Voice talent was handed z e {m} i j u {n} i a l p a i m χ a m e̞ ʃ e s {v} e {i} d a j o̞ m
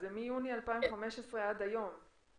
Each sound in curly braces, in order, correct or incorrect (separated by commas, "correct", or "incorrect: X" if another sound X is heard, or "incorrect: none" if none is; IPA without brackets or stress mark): correct, correct, incorrect: ʁ, incorrect: a